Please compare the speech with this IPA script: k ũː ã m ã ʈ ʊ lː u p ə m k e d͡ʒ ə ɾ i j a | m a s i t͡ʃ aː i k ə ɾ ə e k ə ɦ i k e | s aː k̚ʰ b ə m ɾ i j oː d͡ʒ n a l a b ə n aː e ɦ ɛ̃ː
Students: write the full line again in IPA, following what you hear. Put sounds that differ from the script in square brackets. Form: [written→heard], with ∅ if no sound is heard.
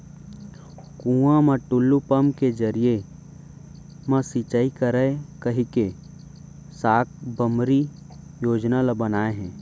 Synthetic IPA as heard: k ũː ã m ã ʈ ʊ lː u p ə m k e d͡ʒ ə ɾ i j [a→e] | m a s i t͡ʃ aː i k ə ɾ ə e k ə ɦ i k e | s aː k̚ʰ b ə m ɾ i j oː d͡ʒ n a l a b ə n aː e ɦ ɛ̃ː